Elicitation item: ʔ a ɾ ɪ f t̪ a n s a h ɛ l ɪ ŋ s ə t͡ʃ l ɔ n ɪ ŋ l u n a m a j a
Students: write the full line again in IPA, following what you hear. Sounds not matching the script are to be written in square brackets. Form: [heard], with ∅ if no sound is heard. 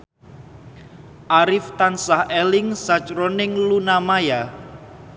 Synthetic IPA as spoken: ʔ a ɾ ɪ f t̪ a n s a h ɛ l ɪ ŋ s [a] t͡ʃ [ɾ] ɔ n ɪ ŋ l u n a m a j a